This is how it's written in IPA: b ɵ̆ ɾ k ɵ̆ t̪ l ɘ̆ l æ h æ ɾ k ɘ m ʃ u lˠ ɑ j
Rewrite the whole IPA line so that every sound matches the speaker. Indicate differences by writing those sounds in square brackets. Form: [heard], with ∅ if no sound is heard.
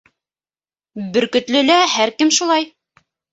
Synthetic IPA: b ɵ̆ ɾ k ɵ̆ t̪ l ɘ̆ l æ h æ ɾ k ɘ m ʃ u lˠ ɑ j